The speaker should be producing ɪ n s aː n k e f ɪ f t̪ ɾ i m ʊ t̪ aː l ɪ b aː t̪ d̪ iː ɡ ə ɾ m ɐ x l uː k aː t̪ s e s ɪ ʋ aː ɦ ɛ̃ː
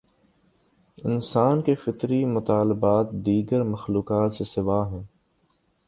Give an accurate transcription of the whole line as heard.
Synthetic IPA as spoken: ɪ n s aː n k e f ɪ t̪ ɾ i m ʊ t̪ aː l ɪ b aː t̪ d̪ iː ɡ ə ɾ m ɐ x l uː k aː t̪ s e s ɪ ʋ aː ɦ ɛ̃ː